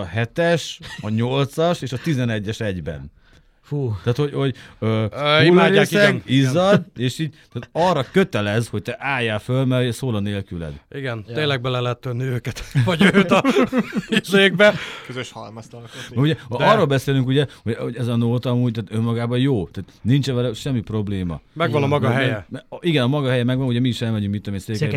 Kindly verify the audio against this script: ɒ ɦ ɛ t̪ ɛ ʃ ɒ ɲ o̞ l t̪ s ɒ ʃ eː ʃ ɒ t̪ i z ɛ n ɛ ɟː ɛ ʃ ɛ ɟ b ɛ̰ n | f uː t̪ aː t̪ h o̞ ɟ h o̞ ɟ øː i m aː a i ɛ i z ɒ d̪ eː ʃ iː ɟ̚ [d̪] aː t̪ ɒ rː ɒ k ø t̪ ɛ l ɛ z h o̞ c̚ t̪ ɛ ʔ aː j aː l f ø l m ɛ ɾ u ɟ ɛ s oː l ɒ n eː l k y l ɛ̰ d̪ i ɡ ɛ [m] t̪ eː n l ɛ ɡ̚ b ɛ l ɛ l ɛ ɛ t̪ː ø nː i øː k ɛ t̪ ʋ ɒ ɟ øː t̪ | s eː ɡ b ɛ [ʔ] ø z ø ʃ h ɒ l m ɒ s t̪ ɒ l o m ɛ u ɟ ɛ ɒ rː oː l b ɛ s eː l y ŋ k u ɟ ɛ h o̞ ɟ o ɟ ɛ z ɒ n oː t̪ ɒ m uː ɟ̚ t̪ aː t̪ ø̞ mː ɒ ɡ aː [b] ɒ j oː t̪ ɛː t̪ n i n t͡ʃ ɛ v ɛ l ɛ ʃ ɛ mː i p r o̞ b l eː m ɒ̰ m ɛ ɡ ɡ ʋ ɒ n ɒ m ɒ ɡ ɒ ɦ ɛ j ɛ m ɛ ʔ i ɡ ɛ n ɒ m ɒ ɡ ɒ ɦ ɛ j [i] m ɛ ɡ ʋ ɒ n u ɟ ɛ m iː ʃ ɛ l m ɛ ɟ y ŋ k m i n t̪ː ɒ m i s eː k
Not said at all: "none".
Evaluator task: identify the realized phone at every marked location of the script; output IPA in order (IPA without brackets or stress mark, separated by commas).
t̪, n, k, b, ɛ